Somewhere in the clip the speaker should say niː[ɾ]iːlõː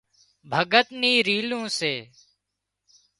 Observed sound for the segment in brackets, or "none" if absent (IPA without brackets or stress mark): ɾ